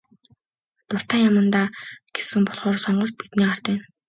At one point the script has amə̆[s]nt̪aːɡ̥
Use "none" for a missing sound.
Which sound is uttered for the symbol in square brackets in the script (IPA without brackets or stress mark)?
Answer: none